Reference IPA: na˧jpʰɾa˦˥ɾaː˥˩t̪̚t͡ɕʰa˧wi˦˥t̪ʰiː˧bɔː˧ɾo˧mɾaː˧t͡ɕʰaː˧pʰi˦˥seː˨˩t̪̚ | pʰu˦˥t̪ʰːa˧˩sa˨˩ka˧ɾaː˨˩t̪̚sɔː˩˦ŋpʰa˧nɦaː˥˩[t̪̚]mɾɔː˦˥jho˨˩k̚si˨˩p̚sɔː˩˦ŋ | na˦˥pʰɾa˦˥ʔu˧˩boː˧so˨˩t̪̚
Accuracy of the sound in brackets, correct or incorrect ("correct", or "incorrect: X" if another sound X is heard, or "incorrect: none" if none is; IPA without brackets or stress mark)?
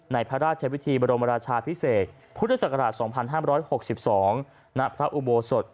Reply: incorrect: none